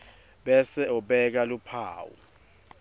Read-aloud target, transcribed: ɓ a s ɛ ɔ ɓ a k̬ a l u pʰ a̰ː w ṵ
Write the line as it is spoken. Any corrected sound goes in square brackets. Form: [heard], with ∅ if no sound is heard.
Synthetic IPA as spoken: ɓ [ɛ] s ɛ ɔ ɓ [ɛ] k̬ a l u pʰ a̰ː w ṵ